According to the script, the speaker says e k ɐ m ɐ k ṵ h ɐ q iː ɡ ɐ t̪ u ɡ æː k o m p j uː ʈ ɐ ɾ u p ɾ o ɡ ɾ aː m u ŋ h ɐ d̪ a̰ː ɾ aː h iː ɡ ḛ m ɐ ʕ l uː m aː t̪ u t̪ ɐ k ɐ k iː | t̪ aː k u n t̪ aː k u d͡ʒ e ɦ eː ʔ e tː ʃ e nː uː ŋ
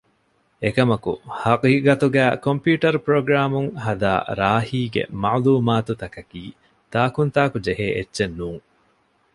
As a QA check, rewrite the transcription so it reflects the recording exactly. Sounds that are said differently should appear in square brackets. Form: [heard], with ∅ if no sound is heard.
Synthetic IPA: e k ɐ m ɐ k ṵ h ɐ q iː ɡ ɐ t̪ u ɡ æː k o m p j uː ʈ ɐ ɾ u p ɾ o ɡ ɾ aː m u ŋ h ɐ d̪ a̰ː ɾ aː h iː ɡ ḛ m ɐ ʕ l uː m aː t̪ u t̪ ɐ k ɐ k iː | t̪ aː k u n t̪ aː k u d͡ʒ e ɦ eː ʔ e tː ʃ e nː uː ŋ